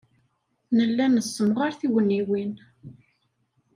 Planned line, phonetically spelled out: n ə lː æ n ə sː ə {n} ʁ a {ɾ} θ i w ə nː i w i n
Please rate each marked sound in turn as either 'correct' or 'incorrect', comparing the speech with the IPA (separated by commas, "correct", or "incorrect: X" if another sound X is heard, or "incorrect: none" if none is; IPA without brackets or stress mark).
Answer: incorrect: m, correct